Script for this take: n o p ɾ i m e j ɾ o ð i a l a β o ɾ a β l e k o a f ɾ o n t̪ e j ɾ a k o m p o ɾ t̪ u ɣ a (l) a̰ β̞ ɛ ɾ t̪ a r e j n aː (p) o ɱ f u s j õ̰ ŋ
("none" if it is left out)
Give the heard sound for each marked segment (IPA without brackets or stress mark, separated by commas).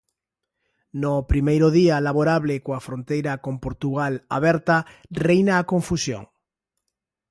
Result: l, k